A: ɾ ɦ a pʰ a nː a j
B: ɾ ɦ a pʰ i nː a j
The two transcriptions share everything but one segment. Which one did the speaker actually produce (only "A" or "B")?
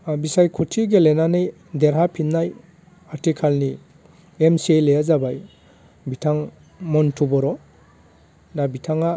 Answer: B